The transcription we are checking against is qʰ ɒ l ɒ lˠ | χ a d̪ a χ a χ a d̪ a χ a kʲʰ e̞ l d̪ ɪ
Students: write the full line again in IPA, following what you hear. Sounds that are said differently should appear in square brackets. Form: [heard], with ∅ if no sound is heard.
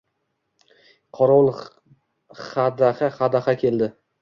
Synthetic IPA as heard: qʰ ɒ [ɾ] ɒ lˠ | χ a d̪ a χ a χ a d̪ a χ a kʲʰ e̞ l d̪ ɪ